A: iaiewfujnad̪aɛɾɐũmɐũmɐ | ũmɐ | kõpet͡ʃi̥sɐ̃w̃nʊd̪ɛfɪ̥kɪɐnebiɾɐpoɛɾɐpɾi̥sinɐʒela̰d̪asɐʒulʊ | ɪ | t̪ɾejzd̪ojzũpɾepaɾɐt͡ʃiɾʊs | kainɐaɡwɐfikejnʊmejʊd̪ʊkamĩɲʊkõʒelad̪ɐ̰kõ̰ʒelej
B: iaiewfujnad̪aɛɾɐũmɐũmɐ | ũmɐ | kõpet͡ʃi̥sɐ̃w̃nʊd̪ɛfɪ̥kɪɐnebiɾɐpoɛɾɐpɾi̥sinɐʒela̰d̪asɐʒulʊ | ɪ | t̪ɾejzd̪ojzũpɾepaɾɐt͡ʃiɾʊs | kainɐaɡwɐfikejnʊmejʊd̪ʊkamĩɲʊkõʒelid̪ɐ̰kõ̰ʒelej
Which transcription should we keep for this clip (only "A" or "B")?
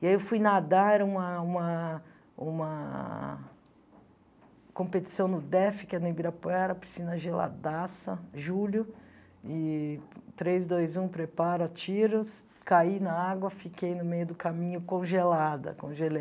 A